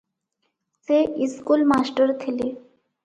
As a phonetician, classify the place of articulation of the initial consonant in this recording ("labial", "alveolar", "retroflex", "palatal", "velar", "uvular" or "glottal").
alveolar